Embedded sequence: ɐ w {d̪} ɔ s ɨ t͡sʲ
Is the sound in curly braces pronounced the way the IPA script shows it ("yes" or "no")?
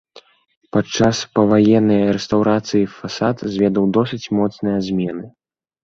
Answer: yes